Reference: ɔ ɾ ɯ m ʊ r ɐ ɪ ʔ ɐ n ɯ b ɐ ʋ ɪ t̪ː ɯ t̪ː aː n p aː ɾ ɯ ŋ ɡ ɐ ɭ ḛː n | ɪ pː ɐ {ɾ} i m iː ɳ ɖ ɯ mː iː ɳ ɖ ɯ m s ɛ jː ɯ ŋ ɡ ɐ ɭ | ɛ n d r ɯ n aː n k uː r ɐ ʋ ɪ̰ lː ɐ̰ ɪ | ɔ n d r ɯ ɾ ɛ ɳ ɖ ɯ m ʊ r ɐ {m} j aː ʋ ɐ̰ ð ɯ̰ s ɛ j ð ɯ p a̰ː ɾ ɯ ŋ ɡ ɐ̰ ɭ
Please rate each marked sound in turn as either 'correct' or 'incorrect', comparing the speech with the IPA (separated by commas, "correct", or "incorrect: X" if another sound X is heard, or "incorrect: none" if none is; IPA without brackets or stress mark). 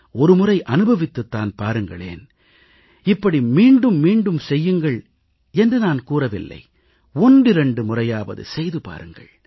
incorrect: ɽ, incorrect: none